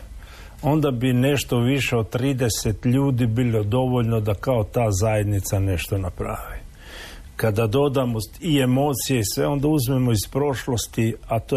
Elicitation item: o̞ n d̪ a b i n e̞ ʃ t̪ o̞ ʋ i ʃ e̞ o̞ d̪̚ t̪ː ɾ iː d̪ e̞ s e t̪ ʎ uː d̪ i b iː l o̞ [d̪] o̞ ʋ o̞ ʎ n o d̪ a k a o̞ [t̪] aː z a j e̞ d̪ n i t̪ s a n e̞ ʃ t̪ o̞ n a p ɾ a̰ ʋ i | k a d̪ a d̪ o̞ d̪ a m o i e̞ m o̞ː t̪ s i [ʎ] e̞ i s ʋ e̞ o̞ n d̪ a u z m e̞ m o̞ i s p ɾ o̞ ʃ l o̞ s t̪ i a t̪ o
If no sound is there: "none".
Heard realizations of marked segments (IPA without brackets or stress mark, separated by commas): d̪, t̪, j